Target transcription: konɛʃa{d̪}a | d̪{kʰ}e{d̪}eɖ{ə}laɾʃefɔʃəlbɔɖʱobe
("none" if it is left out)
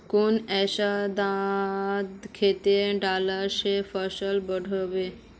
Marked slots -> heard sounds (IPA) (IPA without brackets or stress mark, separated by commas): d̪, kʰ, t̪, a